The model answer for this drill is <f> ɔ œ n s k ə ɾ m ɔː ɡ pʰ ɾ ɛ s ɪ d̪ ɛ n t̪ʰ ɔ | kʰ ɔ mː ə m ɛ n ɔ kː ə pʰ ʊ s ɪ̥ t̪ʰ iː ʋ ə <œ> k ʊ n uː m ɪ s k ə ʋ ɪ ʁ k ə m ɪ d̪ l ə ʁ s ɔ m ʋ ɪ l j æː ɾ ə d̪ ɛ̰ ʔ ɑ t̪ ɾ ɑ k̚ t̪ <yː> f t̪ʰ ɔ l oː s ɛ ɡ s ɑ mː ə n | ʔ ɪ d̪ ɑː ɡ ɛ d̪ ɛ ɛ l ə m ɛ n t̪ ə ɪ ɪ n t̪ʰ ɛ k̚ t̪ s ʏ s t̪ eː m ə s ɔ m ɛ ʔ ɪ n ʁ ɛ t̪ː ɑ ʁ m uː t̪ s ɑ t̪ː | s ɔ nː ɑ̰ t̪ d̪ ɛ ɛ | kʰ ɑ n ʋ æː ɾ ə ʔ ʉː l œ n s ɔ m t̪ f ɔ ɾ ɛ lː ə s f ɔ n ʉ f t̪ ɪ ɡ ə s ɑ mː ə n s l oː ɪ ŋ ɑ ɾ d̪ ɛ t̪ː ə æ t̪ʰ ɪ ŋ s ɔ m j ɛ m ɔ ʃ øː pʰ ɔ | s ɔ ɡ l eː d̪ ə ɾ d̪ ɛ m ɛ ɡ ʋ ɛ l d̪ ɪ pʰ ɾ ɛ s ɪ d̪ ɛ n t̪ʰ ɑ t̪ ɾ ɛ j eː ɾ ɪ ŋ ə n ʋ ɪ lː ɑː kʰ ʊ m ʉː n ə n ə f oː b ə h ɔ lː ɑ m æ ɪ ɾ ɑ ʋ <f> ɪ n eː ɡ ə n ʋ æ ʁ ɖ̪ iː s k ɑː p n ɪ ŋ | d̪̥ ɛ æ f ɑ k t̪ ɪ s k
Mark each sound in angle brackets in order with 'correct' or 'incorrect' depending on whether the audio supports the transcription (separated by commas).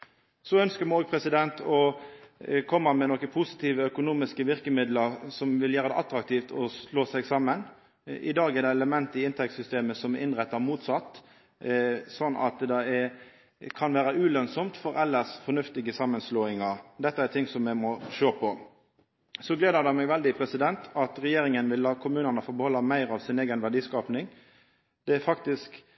incorrect, correct, incorrect, incorrect